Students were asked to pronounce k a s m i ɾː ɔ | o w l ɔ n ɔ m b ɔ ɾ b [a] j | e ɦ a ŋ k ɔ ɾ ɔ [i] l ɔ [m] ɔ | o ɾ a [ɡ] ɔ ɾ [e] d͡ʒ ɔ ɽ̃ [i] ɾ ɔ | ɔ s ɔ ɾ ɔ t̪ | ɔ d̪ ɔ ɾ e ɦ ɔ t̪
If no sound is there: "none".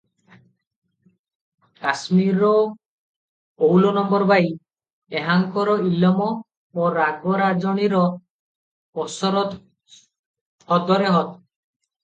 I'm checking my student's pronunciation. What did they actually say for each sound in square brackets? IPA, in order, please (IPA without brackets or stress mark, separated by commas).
a, i, m, ɡ, a, i